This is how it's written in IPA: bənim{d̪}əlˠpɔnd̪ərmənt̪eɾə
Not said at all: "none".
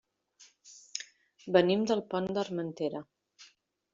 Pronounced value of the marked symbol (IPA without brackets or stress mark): d̪